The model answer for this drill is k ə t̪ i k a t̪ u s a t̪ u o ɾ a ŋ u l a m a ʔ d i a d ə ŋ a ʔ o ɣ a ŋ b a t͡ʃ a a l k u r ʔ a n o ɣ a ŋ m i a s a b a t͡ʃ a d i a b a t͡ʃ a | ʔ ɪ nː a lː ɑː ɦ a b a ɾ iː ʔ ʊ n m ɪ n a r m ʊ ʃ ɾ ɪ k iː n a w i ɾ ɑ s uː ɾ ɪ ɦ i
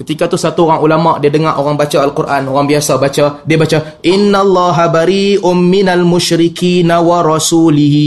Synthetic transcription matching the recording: k ə t̪ i k a t̪ u s a t̪ u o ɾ a ŋ u l a m a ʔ d i a d ə ŋ a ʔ o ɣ a ŋ b a t͡ʃ a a l k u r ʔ a n o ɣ a ŋ b i a s a b a t͡ʃ a d i a b a t͡ʃ a | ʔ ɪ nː a lː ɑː ɦ a b a ɾ iː ʔ ʊ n m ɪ n a l m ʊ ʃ ɾ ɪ k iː n a w a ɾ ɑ s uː l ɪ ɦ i